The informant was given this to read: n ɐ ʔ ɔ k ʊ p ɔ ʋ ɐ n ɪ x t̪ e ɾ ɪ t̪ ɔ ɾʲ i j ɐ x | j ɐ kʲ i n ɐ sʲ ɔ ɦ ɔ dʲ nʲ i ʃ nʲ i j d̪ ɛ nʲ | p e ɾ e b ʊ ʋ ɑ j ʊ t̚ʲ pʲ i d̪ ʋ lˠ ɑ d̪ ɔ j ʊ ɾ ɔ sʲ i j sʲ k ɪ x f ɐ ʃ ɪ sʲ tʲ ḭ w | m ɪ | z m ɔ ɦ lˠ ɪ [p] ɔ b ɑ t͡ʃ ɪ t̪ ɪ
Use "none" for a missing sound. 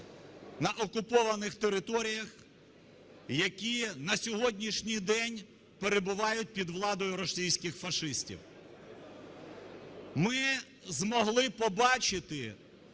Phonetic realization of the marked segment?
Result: p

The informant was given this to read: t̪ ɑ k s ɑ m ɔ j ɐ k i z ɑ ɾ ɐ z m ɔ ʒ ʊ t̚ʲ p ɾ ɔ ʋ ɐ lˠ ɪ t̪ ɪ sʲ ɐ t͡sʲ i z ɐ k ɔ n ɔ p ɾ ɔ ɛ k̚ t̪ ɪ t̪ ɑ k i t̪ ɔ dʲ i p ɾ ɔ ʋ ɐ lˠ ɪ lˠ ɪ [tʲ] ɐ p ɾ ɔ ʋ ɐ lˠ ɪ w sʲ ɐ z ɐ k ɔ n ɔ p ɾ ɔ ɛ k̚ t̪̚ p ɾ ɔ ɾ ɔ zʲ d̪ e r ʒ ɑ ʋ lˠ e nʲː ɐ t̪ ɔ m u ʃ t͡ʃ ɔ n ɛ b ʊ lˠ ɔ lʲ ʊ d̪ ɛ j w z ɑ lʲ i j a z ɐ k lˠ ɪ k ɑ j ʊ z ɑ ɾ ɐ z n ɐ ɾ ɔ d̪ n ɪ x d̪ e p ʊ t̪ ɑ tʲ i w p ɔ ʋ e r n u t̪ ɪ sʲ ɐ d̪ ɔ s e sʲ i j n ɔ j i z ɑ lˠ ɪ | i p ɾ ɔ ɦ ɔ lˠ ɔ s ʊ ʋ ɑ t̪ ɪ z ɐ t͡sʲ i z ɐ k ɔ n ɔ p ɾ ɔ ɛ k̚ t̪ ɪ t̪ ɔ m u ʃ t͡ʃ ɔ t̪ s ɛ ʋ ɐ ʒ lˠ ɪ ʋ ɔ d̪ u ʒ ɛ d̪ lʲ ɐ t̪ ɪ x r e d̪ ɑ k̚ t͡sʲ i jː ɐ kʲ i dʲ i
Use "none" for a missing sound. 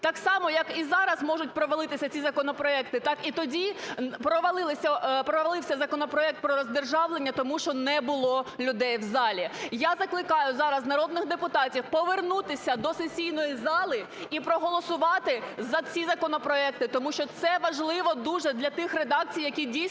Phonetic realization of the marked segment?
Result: sʲ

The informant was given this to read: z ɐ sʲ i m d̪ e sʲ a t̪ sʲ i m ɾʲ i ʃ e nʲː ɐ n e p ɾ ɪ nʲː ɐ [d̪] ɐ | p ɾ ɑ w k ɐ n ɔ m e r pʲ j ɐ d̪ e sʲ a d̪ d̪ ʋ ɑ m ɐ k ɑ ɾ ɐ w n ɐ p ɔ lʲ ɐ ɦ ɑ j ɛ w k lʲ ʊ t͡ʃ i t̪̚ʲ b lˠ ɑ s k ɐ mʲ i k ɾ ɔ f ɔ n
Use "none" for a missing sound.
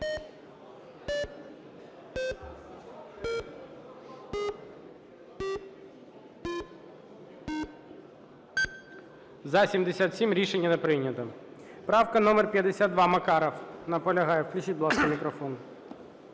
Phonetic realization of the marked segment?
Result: t̪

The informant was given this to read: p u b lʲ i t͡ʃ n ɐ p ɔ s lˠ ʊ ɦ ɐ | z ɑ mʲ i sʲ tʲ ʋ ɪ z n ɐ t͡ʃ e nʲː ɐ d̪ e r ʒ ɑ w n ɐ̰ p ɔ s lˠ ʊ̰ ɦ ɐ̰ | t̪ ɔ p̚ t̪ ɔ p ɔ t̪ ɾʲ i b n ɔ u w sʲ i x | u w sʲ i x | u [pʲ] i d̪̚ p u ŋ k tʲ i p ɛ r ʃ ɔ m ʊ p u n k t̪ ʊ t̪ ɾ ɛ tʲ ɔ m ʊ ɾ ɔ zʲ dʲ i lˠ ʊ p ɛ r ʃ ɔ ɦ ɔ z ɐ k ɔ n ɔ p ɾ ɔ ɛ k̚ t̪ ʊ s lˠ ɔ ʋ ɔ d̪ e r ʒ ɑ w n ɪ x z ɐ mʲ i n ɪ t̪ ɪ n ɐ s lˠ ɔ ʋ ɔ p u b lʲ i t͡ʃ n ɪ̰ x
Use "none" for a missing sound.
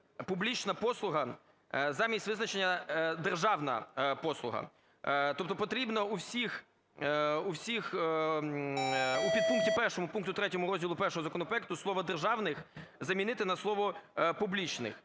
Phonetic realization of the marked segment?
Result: pʲ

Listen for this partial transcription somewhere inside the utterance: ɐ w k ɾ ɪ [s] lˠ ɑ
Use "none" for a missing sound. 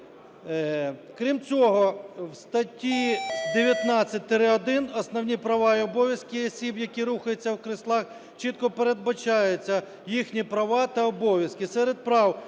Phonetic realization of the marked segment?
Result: s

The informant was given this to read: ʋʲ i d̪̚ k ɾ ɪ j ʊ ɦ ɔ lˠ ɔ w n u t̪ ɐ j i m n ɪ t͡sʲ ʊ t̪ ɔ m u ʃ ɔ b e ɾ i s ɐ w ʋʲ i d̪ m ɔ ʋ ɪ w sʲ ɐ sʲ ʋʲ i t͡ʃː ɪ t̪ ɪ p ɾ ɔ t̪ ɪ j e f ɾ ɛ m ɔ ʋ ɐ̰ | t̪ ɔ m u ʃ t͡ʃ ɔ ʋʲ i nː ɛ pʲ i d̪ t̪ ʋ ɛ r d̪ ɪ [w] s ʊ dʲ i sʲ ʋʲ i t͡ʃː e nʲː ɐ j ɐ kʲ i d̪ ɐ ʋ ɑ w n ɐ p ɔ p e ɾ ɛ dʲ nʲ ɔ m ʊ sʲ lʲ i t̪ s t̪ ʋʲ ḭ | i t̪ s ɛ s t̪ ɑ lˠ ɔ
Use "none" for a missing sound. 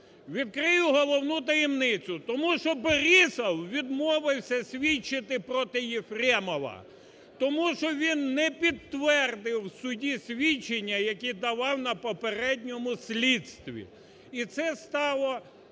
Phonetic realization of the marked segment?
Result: w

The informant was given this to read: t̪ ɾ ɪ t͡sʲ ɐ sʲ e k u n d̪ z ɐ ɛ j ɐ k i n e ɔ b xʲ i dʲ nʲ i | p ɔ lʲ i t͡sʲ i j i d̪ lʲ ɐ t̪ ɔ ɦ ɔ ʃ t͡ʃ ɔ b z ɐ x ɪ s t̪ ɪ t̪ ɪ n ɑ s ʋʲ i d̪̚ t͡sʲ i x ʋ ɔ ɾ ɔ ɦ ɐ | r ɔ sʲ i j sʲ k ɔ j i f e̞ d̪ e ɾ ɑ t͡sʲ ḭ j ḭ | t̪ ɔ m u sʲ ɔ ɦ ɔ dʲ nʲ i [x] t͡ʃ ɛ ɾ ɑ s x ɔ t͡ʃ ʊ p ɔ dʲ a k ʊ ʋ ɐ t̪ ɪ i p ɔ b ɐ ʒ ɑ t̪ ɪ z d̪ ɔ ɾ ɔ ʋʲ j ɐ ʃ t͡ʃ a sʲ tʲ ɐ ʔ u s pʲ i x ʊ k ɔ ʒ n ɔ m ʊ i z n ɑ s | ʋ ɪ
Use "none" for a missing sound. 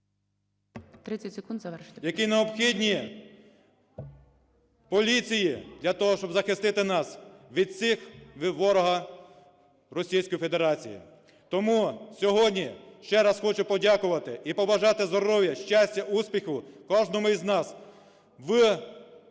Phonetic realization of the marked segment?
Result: ʃ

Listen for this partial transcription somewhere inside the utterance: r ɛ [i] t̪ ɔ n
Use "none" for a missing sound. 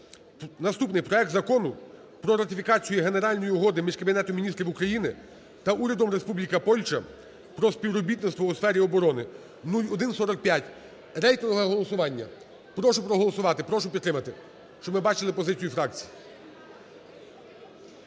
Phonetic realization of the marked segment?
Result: j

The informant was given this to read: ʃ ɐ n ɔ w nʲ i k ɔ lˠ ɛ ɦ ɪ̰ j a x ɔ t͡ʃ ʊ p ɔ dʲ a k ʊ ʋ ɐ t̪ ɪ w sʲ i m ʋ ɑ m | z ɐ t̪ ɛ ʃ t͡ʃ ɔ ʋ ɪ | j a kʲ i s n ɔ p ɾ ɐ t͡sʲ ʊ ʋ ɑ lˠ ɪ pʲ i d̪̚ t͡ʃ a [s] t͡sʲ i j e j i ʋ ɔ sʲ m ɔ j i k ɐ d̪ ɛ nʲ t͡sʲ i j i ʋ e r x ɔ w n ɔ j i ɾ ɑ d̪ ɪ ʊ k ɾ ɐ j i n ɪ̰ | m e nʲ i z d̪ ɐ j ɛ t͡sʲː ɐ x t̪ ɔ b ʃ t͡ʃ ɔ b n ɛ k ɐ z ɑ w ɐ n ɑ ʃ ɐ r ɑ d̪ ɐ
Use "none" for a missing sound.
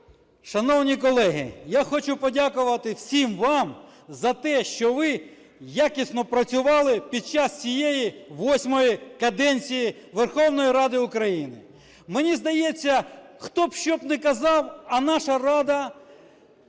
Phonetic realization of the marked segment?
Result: s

